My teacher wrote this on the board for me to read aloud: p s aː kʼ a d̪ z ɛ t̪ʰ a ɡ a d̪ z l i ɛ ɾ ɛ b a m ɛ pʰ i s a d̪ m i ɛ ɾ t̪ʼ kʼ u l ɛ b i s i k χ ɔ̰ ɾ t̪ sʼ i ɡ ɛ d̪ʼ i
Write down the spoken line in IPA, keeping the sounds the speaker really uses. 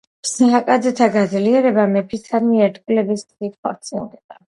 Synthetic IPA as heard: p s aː kʼ a d̪ z ɛ t̪ʰ a ɡ a d̪ z l i ɛ ɾ ɛ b a m ɛ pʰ i s a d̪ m i ɛ ɾ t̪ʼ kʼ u l ɛ b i s i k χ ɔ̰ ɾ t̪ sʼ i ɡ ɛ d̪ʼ a